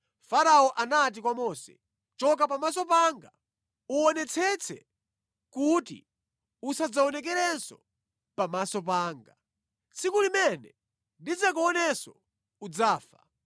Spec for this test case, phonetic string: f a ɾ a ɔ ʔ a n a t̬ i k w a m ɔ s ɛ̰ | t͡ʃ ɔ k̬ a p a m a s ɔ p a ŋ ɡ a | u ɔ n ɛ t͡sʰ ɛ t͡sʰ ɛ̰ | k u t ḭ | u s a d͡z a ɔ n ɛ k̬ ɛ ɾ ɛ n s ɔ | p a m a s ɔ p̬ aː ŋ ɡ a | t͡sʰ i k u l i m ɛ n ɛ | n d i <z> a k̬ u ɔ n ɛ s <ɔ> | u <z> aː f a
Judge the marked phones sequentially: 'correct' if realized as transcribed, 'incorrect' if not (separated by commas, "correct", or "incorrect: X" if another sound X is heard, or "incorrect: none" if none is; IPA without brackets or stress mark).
incorrect: d͡z, correct, incorrect: d͡z